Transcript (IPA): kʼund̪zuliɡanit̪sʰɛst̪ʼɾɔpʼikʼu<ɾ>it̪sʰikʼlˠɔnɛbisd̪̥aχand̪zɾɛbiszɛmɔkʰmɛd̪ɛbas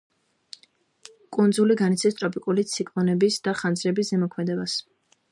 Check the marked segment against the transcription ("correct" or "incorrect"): incorrect